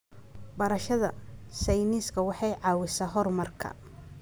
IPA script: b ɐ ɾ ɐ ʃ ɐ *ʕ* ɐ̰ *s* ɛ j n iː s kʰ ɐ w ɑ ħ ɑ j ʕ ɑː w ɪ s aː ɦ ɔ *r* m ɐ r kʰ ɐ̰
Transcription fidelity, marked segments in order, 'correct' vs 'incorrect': incorrect: ð, correct, correct

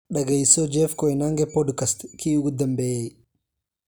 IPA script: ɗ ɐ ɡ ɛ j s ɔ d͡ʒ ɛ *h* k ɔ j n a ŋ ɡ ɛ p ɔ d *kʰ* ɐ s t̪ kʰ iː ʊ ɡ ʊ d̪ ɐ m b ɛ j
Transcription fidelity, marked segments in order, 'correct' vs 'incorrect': incorrect: f, incorrect: k

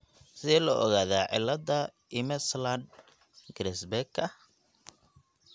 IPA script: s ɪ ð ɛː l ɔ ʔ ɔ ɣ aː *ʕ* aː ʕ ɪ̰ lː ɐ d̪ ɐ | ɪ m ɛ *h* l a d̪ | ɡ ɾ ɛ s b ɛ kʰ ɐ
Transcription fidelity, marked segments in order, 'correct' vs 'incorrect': incorrect: ð, incorrect: s

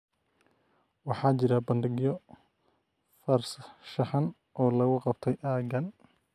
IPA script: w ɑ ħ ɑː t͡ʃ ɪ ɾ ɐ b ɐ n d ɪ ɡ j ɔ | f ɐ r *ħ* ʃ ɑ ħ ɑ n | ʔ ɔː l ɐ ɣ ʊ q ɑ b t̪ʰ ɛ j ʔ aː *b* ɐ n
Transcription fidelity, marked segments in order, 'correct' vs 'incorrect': incorrect: s, incorrect: ɡ

